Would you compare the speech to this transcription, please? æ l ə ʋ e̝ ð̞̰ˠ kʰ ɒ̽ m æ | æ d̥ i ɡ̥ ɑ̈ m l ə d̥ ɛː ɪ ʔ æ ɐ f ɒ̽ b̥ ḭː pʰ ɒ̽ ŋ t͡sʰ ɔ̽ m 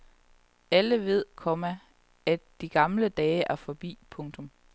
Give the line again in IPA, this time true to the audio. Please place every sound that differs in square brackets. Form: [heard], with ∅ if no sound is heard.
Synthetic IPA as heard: æ l ə ʋ e̝ ð̞̰ˠ kʰ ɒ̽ m æ | æ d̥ i ɡ̥ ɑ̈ m l ə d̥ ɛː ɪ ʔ æ ɐ f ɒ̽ b̥ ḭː pʰ [ɔ̽] ŋ t͡sʰ ɔ̽ m